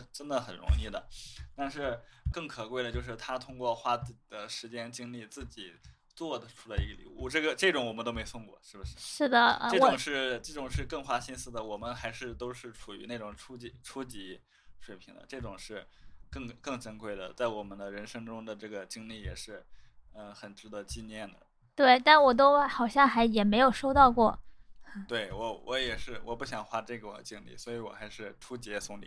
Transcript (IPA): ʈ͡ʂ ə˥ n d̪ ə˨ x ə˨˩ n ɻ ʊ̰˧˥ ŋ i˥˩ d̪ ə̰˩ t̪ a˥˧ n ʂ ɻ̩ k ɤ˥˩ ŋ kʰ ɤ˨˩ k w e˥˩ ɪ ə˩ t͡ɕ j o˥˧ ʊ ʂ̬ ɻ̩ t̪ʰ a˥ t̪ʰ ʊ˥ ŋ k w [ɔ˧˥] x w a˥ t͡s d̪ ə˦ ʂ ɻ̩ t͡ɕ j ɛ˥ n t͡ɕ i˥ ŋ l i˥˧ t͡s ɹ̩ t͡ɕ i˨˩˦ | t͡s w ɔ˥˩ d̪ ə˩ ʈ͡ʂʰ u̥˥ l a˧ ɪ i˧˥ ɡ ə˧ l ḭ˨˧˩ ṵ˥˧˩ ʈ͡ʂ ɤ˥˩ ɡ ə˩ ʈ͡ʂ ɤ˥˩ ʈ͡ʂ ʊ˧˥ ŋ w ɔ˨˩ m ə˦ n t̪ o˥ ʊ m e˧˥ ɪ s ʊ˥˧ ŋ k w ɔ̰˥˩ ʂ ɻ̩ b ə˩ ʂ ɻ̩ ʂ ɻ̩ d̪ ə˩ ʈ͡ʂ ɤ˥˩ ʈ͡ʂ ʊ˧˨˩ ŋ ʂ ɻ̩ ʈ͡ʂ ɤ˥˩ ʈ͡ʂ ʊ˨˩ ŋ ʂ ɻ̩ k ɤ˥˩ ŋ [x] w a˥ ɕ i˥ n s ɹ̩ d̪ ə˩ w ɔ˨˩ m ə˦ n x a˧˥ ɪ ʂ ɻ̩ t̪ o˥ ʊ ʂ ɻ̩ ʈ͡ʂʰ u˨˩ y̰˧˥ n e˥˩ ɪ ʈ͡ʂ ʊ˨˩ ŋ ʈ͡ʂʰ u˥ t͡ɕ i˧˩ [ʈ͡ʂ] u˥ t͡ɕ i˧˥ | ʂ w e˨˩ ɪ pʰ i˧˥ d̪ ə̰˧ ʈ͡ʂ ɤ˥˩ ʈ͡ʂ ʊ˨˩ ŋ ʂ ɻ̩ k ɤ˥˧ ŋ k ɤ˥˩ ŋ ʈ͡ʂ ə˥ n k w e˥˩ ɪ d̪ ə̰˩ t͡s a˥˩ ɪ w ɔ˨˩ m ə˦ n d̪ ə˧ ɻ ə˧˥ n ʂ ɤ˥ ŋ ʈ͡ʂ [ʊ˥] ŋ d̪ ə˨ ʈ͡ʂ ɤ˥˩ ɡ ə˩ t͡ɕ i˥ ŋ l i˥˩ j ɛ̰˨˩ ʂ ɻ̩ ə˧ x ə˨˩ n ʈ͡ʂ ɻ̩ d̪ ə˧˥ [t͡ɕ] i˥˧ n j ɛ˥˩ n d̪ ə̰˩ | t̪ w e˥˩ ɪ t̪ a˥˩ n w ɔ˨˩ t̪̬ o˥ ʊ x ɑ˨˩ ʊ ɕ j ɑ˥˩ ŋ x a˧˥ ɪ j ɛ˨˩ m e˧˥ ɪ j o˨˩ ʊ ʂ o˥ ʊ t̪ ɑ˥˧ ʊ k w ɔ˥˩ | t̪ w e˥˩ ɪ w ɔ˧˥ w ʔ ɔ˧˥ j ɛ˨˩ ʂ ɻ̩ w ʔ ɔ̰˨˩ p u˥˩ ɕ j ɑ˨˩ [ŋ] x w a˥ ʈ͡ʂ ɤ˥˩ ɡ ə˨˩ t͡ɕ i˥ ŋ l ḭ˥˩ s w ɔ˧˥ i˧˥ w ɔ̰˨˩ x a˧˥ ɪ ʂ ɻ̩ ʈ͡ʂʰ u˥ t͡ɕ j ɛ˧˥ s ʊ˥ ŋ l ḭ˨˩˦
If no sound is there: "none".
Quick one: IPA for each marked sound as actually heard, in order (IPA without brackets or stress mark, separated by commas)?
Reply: ɔ˥˩, x, ʈ͡ʂʰ, ʊ˥, t͡ɕ, ŋ